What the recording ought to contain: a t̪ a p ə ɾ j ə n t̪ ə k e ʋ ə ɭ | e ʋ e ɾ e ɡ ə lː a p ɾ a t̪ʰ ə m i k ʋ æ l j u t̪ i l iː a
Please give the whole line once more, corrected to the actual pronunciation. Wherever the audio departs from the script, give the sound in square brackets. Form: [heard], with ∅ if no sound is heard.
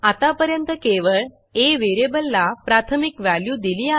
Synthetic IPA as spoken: a t̪ a p ə ɾ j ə n t̪ ə k e ʋ ə ɭ | e ʋ e ɾ e [b] ə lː a p ɾ a t̪ʰ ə m i k ʋ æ l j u [d̪] i l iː a